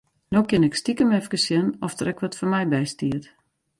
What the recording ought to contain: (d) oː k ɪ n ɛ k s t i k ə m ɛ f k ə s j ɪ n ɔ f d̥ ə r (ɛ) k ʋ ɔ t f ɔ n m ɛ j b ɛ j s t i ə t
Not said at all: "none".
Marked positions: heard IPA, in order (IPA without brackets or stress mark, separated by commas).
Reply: n, ɛ